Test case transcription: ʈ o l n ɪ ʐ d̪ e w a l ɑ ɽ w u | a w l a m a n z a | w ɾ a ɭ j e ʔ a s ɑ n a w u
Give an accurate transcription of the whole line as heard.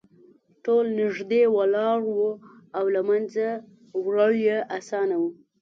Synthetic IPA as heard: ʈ o l n ɪ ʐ d̪ e w a l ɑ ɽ w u | a w l a m a n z a | w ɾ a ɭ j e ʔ a s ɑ n a w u